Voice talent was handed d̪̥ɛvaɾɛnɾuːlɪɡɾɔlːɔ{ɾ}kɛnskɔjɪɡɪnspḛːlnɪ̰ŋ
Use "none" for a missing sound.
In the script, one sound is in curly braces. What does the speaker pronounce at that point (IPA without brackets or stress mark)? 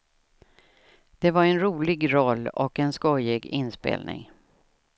none